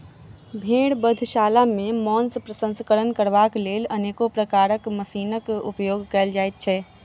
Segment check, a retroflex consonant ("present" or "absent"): present